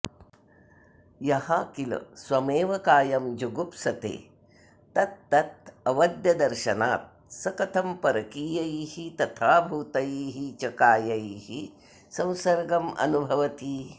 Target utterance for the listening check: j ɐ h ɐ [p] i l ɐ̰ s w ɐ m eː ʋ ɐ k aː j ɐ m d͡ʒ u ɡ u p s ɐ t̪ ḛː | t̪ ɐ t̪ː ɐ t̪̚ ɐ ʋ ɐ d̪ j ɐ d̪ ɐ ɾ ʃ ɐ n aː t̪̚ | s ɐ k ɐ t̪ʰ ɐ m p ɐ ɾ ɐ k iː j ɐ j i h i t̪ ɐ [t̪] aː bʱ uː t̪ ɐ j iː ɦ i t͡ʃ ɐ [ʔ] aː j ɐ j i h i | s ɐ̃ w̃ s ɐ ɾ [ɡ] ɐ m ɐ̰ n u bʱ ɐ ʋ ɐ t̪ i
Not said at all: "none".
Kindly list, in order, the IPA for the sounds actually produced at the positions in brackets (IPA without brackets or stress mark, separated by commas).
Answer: k, t̪ʰ, k, ɡ